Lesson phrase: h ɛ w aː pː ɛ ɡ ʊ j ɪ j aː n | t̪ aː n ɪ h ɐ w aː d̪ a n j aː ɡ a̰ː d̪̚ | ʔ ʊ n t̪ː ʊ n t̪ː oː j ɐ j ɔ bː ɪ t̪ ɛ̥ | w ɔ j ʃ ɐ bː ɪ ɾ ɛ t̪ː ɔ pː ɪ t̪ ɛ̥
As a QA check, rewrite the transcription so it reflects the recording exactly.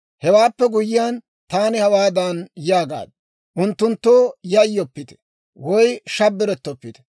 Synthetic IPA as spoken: h ɛ w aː pː ɛ ɡ ʊ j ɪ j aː n | t̪ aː n ɪ h ɐ w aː d̪ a n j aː ɡ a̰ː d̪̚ | ʔ ʊ n t̪ː ʊ n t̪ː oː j ɐ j ɔ pː ɪ t̪ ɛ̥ | w ɔ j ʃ ɐ bː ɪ ɾ ɛ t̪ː ɔ pː ɪ t̪ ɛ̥